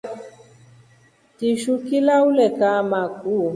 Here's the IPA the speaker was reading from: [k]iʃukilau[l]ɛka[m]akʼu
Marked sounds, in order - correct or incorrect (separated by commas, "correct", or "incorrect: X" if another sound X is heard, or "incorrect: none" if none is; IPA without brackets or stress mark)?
incorrect: t, correct, correct